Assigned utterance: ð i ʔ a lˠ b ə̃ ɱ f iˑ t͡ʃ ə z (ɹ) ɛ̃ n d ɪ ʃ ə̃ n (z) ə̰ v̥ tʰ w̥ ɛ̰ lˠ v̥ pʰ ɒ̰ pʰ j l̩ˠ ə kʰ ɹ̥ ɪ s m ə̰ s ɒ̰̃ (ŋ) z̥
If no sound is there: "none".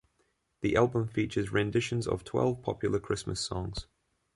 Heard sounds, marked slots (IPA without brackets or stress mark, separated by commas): ɹ, z, ŋ